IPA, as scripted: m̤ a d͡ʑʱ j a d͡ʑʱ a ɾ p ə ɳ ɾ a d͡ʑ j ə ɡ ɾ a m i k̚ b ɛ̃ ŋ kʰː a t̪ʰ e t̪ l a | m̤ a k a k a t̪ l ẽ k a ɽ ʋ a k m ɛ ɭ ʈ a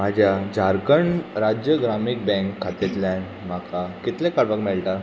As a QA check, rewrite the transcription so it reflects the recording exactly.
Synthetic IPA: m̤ a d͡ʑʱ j a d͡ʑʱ a ɾ k ə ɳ ɾ a d͡ʑ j ə ɡ ɾ a m i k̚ b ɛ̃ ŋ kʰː a t̪ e t̪ l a | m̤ a k a k i t̪ l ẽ k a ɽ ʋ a k m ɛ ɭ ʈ a